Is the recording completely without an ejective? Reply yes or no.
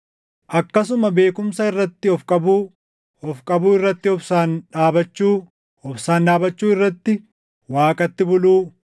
no